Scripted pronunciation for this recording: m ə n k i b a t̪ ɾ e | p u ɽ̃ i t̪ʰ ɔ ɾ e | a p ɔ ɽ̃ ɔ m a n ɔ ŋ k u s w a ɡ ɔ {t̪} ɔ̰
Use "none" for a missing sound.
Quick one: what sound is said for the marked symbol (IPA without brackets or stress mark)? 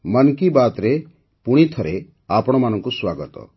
t̪